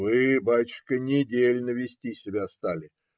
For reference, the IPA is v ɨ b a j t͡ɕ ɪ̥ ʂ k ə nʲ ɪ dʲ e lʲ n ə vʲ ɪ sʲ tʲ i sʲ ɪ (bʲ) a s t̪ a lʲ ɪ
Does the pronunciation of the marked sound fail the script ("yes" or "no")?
no